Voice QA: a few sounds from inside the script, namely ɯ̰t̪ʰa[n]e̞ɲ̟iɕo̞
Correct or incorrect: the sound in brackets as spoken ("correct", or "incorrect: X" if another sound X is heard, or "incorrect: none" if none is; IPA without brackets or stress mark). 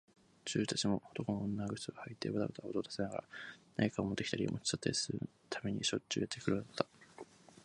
incorrect: m